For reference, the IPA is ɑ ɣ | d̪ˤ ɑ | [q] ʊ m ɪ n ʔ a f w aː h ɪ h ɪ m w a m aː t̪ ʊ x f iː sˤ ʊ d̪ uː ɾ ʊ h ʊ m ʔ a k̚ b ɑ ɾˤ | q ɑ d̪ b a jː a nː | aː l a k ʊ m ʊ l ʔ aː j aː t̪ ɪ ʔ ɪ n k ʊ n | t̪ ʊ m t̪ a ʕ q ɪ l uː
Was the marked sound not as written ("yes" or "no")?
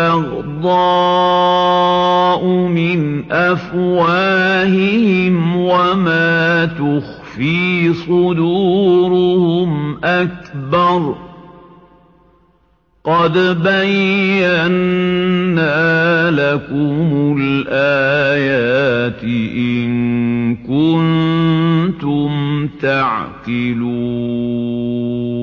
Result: yes